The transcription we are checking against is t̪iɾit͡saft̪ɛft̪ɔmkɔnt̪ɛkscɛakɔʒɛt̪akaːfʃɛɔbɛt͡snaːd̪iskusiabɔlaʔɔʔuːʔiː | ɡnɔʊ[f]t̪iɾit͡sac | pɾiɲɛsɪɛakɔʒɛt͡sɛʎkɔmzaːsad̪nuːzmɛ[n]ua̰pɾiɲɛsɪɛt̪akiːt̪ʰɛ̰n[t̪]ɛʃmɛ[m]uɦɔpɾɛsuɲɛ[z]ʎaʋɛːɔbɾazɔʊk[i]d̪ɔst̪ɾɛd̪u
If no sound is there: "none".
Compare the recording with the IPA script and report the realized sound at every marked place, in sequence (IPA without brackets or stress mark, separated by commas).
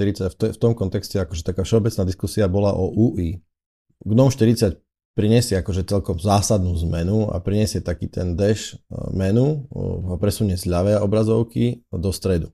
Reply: ʃ, n, d̪, n, z, i